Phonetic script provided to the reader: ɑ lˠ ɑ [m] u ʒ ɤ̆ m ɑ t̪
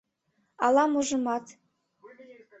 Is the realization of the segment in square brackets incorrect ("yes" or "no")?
no